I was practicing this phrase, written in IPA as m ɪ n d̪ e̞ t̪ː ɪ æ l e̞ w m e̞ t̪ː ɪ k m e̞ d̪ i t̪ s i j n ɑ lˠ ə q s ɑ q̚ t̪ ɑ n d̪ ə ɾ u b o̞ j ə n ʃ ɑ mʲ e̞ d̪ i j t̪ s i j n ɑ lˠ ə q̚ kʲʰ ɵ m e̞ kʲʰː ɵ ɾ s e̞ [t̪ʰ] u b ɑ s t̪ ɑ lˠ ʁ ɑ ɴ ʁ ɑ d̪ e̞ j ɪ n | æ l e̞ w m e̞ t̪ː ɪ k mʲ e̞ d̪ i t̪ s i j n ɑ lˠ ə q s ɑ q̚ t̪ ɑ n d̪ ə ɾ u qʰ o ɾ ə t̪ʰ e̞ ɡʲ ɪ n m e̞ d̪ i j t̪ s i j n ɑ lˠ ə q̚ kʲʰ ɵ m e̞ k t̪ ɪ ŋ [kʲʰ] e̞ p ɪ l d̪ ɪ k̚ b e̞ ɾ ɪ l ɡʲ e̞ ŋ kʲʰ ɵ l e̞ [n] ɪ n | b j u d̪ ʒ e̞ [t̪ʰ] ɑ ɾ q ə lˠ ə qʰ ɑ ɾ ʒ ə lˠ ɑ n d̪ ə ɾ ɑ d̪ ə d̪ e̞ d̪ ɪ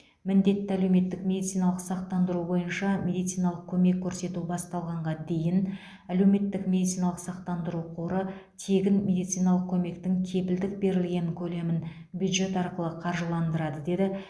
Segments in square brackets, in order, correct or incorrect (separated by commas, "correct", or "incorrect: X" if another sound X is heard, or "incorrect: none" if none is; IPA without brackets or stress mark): incorrect: t̪, correct, incorrect: m, incorrect: t̪